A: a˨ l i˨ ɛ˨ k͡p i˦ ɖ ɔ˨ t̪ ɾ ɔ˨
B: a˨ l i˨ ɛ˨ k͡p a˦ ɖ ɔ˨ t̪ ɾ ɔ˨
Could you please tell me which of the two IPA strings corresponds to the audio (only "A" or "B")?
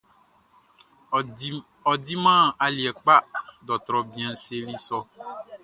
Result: B